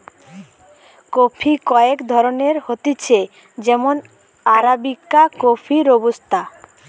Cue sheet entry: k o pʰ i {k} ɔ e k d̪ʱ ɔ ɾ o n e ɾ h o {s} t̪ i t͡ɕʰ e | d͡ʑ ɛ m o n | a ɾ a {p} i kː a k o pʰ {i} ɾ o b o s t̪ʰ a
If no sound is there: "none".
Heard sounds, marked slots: k, none, b, i

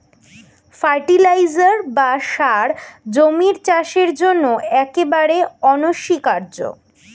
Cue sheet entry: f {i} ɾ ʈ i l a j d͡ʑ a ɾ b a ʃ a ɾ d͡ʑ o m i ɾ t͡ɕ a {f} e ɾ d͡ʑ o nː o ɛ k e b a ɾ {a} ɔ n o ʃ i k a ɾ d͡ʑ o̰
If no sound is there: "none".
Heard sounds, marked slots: a, ʃ, e

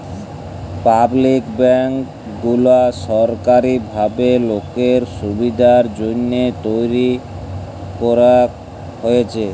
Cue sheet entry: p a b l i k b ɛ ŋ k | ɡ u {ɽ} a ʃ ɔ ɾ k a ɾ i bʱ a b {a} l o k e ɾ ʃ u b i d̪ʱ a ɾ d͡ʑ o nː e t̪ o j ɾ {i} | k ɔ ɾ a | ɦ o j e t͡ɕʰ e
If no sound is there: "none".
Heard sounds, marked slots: l, e, i

